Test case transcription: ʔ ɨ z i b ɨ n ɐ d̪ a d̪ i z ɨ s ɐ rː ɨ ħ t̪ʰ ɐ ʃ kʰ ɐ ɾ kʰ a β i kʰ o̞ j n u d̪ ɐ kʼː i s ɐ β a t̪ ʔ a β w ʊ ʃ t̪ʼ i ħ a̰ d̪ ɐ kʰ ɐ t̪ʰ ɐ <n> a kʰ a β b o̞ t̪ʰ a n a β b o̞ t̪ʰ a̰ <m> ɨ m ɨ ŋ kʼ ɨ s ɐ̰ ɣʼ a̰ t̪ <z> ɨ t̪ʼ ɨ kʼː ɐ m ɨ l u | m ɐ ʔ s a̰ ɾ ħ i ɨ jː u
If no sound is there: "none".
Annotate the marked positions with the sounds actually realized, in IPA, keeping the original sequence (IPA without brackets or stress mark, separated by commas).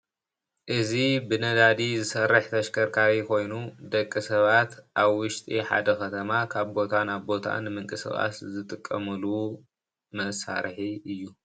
m, n, z